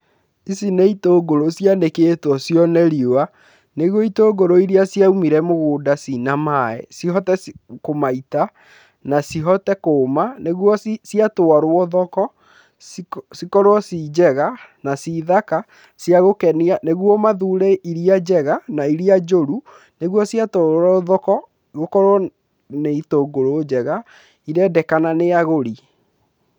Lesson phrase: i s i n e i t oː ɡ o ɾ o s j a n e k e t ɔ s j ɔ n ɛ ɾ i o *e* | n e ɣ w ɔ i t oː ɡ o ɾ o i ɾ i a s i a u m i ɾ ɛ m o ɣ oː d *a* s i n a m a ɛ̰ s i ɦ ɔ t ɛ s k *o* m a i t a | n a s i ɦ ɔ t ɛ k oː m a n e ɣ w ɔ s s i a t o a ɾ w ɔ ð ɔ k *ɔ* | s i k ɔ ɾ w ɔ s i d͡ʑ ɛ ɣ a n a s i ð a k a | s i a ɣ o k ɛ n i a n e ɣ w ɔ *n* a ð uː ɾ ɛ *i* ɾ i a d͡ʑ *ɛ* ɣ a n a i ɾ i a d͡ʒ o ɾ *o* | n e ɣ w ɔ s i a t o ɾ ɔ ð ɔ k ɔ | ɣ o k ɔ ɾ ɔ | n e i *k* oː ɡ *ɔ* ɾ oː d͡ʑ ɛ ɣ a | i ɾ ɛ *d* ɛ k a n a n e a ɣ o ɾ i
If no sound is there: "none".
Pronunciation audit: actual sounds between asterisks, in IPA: a, a, o, ɔ, m, i, ɛ, u, t, o, d

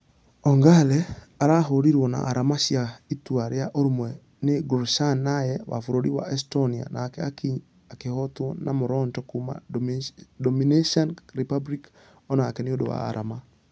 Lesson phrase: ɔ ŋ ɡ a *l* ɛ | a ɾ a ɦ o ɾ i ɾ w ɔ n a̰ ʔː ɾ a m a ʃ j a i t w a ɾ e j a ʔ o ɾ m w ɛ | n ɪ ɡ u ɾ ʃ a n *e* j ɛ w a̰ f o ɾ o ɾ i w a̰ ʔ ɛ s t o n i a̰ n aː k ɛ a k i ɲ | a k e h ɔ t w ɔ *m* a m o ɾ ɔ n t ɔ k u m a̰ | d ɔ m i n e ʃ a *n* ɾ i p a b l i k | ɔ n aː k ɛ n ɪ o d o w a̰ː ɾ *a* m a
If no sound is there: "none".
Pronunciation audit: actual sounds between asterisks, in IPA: l, a, n, n, a

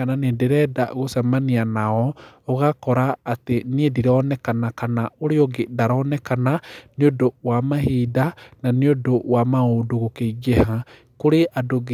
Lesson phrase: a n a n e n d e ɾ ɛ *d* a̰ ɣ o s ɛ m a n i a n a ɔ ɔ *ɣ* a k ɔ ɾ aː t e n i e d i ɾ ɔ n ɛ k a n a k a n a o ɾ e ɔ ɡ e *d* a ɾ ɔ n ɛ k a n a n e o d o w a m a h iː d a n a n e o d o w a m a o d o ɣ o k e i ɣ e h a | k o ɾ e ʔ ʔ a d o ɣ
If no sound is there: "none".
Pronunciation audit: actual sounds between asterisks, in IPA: d, ɣ, d

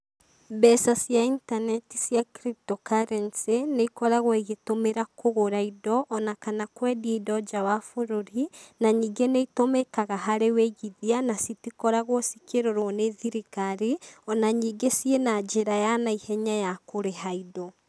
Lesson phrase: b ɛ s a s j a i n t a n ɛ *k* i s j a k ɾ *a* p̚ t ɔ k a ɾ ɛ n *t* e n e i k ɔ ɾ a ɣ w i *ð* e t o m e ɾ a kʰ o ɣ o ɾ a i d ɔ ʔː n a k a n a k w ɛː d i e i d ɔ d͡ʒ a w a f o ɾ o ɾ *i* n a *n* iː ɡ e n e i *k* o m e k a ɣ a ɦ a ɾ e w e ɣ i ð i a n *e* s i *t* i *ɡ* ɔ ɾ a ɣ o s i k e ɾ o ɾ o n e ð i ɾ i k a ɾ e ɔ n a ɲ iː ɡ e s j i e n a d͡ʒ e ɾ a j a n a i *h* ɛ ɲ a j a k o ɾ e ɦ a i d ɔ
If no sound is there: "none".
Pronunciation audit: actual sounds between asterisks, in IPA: t, i, s, ɣ, i, ɲ, t, a, t, k, h

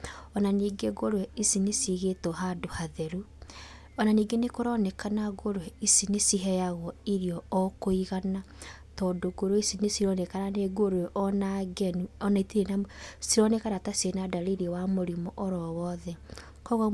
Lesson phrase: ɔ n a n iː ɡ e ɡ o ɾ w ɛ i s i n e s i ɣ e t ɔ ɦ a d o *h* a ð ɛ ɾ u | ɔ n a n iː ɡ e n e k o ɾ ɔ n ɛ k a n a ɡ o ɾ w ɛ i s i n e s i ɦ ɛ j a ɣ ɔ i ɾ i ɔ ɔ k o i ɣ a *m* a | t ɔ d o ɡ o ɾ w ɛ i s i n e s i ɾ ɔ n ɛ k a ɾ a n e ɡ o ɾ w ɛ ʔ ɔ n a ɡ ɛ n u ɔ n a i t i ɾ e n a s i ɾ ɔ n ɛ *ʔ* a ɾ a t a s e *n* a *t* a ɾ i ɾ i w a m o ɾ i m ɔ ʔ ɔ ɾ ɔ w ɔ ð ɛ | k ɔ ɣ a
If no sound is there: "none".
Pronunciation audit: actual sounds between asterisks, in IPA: h, n, k, n, d

